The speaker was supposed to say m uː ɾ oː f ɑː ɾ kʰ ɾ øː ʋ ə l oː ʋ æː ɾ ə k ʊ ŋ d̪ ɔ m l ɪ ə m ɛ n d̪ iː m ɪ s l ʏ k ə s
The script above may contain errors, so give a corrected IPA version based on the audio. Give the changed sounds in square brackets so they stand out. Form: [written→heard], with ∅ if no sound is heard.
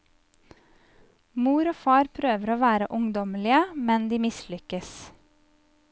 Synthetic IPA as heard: m uː ɾ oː f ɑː ɾ [kʰ→pʰ] ɾ øː ʋ ə [l→ɾ] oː ʋ æː ɾ ə [k→ʔ] ʊ ŋ d̪ ɔ m l ɪ ə m ɛ n d̪ iː m ɪ s l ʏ k ə s